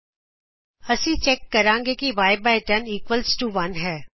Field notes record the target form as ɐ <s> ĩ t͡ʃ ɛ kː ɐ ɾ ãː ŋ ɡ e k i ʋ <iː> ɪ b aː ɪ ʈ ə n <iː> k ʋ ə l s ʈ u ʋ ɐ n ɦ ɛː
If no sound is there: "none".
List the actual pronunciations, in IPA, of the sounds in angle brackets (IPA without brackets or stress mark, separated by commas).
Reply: s, aː, iː